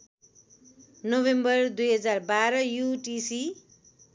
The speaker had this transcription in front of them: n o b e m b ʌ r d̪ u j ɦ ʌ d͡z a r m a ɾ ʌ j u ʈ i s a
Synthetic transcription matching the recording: n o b e m b ʌ r d̪ u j ɦ ʌ d͡z a r b a ɾ ʌ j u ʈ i s i